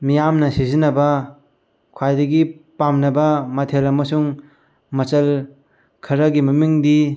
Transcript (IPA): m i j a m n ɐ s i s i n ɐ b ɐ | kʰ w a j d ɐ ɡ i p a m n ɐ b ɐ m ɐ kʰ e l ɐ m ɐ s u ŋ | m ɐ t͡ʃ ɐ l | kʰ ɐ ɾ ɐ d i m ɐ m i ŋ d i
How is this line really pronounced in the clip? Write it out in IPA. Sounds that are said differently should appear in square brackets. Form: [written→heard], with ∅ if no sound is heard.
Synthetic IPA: m i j a m n ɐ s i [s→z] i n ɐ b ɐ | kʰ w a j d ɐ ɡ i p a m n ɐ b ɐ m ɐ [kʰ→tʰ] e l ɐ m ɐ s u ŋ | m ɐ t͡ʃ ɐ l | kʰ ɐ ɾ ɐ [d→ɡ] i m ɐ m i ŋ d i